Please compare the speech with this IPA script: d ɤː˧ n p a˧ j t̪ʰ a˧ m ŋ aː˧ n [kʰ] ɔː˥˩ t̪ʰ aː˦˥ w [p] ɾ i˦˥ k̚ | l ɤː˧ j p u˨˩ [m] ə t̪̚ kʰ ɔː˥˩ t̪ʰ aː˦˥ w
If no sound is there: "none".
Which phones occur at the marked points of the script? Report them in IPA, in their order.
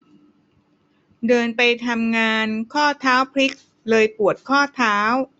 kʰ, pʰ, none

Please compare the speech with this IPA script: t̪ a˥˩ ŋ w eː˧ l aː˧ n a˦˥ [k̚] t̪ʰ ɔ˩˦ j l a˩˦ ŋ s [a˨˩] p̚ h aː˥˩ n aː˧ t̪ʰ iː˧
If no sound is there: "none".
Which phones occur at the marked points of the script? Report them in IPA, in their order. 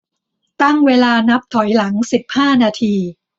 p̚, i˨˩

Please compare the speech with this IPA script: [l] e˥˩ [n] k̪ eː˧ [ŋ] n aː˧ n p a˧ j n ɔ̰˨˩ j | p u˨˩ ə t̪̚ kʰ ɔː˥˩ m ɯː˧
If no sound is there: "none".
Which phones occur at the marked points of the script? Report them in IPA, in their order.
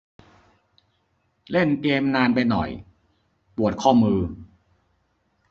l, n, m

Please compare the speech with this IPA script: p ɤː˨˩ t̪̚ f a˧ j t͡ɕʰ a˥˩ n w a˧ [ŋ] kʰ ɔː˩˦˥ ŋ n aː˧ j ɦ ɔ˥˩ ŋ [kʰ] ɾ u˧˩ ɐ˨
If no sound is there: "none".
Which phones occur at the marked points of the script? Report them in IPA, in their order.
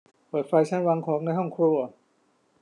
ŋ, kʰ

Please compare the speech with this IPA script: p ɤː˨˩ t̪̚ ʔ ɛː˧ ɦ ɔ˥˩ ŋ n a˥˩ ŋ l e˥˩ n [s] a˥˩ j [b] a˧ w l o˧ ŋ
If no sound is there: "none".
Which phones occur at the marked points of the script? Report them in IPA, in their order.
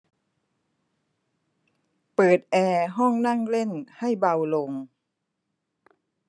h, b

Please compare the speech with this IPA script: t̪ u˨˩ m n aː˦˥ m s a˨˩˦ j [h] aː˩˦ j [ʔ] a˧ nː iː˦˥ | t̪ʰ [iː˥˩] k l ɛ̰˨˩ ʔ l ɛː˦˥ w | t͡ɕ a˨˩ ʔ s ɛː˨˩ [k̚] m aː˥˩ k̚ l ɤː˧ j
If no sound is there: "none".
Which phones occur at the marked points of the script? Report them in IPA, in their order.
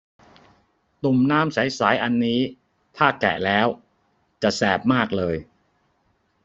s, ʔ, aː˥˩, p̚

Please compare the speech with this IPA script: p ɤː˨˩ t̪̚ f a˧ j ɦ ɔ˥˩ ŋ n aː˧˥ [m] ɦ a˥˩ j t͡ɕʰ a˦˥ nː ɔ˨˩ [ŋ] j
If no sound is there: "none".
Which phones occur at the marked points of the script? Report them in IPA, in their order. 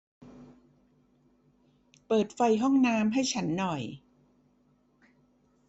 m, none

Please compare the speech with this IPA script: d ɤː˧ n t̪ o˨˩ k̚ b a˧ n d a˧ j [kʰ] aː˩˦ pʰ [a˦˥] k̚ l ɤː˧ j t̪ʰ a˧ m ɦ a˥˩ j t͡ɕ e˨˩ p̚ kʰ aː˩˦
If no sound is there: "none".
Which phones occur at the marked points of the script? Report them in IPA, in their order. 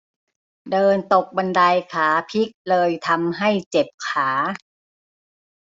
kʰ, i˦˥

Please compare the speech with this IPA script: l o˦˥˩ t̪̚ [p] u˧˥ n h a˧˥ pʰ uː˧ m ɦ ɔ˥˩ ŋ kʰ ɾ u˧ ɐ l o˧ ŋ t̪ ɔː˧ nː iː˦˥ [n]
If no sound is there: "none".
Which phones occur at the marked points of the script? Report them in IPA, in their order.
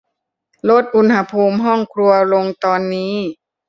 ʔ, none

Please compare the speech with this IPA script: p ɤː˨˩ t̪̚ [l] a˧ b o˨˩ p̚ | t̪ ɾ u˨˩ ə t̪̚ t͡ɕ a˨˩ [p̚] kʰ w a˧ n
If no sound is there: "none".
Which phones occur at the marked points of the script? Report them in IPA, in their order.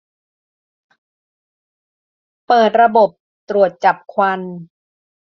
ɾ, p̚

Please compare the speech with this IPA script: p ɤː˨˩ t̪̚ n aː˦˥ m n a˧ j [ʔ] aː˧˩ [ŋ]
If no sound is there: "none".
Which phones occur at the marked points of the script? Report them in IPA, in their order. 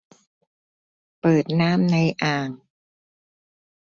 ʔ, ŋ

